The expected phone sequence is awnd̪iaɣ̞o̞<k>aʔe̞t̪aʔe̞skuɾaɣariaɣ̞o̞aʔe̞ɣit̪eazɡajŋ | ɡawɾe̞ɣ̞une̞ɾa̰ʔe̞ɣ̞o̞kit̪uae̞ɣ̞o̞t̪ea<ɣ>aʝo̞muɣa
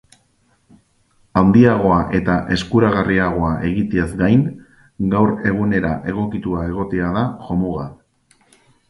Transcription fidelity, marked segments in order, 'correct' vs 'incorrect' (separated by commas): incorrect, incorrect